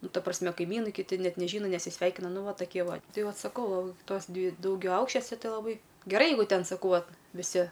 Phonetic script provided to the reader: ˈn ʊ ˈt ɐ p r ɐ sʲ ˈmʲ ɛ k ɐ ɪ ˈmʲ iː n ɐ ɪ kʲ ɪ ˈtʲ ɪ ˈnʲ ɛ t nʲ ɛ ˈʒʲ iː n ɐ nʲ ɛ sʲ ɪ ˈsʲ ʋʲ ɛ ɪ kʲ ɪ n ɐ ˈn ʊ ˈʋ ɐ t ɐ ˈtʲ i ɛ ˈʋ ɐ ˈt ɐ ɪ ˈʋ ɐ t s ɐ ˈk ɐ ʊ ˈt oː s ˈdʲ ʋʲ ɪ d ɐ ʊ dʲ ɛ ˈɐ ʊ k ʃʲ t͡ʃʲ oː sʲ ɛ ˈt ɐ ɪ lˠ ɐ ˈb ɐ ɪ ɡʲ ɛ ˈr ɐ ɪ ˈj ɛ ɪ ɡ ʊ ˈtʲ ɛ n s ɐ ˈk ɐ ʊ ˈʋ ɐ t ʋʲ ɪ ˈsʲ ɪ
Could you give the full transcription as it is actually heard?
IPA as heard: ˈn ʊ ˈt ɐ p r ɐ sʲ ˈmʲ ɛ k ɐ ɪ ˈmʲ iː n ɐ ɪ kʲ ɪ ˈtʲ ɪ ˈnʲ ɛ t nʲ ɛ ˈʒʲ iː n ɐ nʲ ɛ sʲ ɪ ˈsʲ ʋʲ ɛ ɪ kʲ ɪ n ɐ ˈn ʊ ˈʋ ɐ t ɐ ˈkʲ i ɛ ˈʋ ɐ ˈt ɐ ɪ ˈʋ ɐ t s ɐ ˈk ɐ ʊ ˈt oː s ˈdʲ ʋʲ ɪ d ɐ ʊ ɡʲ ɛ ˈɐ ʊ k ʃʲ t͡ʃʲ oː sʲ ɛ ˈt ɐ ɪ lˠ ɐ ˈb ɐ ɪ ɡʲ ɛ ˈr ɐ ɪ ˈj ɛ ɪ ɡ ʊ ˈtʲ ɛ n s ɐ ˈk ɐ ʊ ˈʋ ɐ t ʋʲ ɪ ˈsʲ ɪ